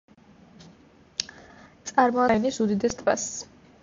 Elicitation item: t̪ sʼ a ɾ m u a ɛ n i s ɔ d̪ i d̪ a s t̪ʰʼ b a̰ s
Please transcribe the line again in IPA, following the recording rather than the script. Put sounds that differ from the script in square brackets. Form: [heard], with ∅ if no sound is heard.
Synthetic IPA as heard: t̪ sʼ a ɾ m [ɔ] a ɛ n i s [u] d̪ i d̪ [ɛ] s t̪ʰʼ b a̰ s